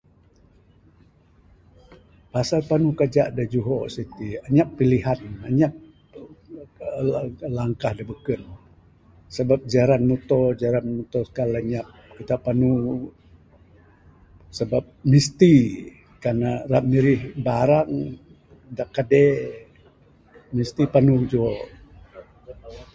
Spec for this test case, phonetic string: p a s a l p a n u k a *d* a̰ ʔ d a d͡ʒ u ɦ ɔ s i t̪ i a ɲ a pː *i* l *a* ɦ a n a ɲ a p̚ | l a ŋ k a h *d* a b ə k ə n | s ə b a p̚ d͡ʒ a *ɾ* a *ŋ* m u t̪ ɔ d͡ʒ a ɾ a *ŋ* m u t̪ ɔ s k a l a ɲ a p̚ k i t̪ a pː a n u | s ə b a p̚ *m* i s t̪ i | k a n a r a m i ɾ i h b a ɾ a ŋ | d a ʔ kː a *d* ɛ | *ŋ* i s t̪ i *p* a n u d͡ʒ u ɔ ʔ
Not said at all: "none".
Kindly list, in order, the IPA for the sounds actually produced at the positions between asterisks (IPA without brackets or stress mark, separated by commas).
d͡ʒ, i, i, d, ɾ, n, n, m, d, m, p